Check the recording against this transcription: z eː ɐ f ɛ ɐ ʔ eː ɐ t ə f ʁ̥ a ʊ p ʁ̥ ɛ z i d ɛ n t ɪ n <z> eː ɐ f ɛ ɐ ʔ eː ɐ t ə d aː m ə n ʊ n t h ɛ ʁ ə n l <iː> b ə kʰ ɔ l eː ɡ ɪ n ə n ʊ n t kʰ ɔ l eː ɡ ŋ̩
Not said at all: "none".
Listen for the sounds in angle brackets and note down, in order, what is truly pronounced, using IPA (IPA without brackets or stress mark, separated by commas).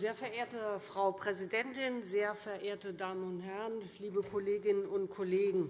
z, iː